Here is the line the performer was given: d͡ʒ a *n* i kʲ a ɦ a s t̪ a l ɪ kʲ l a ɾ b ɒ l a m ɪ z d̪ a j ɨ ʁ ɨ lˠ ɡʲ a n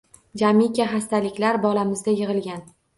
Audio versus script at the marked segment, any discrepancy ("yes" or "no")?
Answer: yes